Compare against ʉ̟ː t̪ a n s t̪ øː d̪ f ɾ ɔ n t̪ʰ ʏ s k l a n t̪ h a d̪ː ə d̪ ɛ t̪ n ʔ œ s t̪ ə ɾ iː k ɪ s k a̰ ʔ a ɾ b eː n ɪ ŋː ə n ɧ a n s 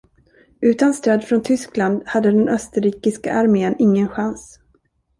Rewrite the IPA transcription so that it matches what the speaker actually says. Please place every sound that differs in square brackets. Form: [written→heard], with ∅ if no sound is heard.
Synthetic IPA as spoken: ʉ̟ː t̪ a n s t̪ øː d̪ f ɾ ɔ n t̪ʰ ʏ s k l a n [t̪→d̪] h a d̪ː ə d̪ ɛ [t̪→∅] n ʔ œ s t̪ ə ɾ iː k ɪ s k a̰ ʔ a ɾ [b→m] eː n ɪ ŋː ə n ɧ a n s

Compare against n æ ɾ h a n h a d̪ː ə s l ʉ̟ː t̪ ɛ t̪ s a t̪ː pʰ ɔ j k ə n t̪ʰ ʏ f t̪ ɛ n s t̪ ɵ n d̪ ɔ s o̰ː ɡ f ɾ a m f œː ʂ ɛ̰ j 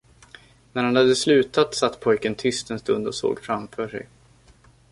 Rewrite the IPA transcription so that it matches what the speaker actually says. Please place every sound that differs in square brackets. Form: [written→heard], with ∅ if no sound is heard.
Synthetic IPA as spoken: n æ ɾ h a n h a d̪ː ə s l ʉ̟ː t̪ [ɛ→a] t̪ s a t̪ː pʰ ɔ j k ə n t̪ʰ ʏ [f→s] t̪ ɛ n s t̪ ɵ n d̪ ɔ s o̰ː ɡ f ɾ a m f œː ʂ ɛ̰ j

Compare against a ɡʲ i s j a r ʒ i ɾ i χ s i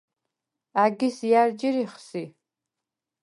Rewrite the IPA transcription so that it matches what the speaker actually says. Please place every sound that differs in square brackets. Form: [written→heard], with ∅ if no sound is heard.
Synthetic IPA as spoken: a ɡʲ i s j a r [ʒ→d͡ʒ] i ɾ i χ s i

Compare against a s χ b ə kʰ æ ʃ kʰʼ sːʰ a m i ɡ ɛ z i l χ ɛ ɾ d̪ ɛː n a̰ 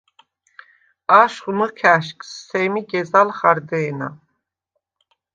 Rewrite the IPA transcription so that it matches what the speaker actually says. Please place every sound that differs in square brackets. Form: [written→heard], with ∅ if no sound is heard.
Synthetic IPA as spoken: a [s→ʃ] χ [b→m] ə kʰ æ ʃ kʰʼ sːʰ [a→ɛ] m i ɡ ɛ z [i→a] l χ [ɛ→a] ɾ d̪ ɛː n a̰

